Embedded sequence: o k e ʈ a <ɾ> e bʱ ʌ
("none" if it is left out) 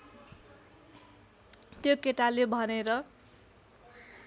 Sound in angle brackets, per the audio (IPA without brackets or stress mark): l